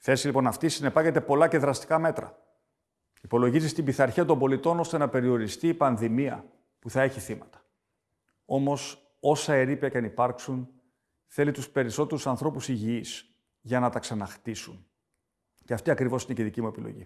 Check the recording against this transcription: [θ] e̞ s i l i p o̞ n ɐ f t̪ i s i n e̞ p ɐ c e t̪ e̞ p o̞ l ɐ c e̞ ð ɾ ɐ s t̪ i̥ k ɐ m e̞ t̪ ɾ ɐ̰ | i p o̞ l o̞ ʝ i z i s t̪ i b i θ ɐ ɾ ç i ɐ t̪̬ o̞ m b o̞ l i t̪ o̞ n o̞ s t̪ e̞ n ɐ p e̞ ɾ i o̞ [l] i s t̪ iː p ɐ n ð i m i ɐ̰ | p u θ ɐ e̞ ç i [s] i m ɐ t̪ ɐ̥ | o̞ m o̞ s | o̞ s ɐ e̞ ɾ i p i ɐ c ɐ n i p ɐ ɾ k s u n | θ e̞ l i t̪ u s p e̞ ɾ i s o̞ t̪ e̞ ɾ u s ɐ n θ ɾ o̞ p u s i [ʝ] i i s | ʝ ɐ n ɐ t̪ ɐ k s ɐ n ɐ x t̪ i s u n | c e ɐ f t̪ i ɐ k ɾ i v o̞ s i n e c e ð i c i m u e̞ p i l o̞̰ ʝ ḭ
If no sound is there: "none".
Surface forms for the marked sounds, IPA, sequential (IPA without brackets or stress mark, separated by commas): θ, ɾ, θ, ʝ